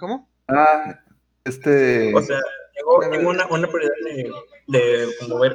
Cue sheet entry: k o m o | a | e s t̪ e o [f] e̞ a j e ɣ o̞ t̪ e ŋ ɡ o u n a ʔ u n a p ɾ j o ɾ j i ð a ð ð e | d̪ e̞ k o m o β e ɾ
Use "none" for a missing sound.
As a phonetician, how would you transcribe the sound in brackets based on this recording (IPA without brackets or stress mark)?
s